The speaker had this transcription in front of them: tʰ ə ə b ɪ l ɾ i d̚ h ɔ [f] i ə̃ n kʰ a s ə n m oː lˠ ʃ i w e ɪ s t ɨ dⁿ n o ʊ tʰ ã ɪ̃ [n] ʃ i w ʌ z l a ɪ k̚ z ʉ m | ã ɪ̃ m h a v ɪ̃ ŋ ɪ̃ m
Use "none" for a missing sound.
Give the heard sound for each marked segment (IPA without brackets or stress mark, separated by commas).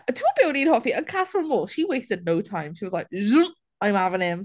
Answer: f, m